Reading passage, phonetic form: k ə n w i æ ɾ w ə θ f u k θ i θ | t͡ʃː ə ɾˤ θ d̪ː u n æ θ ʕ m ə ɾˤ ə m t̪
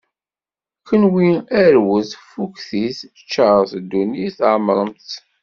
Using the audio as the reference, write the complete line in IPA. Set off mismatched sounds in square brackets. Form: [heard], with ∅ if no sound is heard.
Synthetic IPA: k ə n w i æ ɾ w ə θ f u k θ i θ | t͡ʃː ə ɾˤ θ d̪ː u n [i] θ ʕ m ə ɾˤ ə m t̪